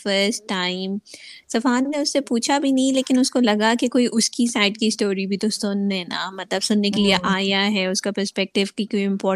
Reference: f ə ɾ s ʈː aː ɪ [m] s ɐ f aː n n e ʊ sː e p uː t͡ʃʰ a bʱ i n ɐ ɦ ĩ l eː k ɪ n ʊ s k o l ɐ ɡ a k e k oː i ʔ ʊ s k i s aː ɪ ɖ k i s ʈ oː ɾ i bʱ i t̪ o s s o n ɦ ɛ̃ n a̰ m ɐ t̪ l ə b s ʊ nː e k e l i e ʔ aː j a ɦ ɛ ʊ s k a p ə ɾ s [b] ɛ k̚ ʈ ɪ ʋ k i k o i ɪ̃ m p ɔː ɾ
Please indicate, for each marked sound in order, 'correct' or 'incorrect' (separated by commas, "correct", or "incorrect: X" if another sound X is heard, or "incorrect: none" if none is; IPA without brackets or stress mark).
correct, incorrect: p